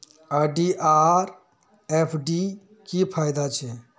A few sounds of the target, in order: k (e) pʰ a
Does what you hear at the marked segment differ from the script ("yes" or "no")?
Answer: yes